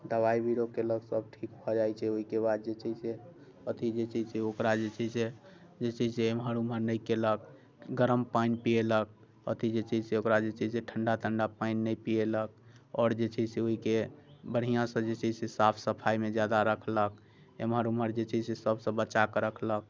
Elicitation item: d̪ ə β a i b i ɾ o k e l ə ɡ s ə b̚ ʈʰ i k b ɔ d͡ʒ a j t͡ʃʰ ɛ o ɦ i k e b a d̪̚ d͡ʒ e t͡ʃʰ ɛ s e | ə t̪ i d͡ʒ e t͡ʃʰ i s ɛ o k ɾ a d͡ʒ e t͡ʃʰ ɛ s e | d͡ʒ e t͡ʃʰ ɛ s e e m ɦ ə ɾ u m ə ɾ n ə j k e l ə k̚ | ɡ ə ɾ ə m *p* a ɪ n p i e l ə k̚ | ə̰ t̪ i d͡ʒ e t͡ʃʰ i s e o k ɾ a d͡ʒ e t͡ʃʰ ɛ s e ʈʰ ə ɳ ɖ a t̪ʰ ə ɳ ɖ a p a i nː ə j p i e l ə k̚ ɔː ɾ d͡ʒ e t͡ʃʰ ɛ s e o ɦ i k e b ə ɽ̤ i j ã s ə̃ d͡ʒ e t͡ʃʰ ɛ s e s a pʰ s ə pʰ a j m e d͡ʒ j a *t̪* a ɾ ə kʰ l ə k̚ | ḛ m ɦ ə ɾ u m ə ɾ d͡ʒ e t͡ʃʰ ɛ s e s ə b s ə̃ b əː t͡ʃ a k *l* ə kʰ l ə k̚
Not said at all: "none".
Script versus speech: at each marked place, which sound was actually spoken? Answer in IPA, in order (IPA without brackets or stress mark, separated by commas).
p, d̪, ɾ